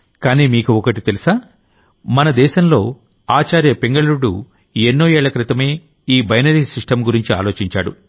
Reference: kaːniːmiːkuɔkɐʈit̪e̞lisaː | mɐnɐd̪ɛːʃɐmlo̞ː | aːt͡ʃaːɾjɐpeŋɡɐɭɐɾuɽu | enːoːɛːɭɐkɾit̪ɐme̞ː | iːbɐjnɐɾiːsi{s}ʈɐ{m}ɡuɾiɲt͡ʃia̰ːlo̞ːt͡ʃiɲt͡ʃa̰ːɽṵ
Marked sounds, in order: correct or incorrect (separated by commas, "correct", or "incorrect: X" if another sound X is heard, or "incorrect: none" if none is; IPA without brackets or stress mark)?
incorrect: ʂ, correct